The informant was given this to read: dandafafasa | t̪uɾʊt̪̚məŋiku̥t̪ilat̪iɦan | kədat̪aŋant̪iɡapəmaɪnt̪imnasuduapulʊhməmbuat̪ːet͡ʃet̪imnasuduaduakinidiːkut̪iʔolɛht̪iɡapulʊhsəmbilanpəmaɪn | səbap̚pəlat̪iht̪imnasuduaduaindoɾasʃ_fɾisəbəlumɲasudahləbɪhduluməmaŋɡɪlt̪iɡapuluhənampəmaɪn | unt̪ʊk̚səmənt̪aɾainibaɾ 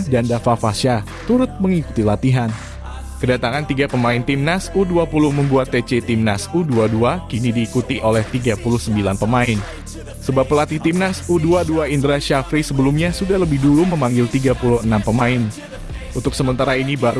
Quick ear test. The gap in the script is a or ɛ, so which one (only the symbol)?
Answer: a